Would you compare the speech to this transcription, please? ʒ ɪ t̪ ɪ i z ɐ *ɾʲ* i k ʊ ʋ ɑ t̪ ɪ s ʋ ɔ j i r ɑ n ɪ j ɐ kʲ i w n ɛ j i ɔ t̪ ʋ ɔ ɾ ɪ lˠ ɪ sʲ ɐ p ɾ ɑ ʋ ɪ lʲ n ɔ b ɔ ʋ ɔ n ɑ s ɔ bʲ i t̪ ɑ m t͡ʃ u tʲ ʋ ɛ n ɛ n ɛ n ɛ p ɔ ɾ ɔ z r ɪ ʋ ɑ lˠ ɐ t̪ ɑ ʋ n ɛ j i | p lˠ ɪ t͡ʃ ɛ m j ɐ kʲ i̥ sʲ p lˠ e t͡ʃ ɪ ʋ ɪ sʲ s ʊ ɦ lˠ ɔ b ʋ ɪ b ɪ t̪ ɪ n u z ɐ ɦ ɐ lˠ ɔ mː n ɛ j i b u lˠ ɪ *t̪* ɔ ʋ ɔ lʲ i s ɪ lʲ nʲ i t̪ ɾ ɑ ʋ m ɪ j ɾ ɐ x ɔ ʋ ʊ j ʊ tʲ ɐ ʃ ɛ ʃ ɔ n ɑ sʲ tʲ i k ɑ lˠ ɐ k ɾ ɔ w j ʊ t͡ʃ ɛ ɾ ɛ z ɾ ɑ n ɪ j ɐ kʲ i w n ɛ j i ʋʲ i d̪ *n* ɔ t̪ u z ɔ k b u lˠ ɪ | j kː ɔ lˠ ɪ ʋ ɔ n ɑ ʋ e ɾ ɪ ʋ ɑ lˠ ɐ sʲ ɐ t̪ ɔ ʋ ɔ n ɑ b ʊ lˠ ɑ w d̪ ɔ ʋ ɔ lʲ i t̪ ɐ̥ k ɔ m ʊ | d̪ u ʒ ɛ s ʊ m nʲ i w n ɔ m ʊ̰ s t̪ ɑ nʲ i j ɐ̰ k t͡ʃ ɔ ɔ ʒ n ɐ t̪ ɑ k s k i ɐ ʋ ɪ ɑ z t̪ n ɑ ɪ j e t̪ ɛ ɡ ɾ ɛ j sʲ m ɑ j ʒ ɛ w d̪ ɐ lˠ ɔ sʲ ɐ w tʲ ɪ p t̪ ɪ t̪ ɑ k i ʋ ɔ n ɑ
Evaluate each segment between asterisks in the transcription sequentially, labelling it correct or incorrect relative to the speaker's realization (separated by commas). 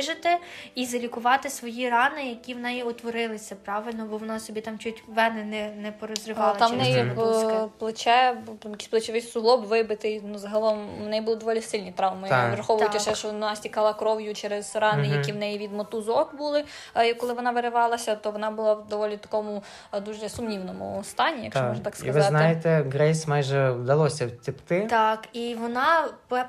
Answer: incorrect, incorrect, incorrect